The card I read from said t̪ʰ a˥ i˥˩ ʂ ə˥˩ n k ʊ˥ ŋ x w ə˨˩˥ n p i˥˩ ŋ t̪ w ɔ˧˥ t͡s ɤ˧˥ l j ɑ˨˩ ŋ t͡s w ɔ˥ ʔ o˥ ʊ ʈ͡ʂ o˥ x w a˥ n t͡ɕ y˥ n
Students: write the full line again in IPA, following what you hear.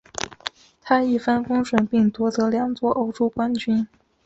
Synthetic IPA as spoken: t̪ʰ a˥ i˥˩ f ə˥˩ n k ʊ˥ ŋ ʂ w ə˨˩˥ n p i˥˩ ŋ t̪ w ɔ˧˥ t͡s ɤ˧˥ l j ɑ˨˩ ŋ t͡s w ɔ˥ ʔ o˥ ʊ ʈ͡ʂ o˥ k w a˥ n t͡ɕ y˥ n